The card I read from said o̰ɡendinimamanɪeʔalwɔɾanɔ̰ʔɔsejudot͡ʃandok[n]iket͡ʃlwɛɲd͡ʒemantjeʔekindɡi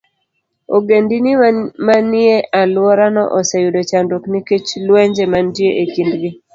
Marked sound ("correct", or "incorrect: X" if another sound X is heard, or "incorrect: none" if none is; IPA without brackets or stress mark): correct